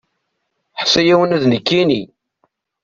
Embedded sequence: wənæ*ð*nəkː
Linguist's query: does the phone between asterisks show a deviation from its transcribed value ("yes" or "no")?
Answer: no